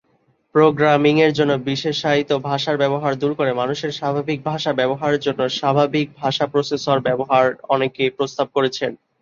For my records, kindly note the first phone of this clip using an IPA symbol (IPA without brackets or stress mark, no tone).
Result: p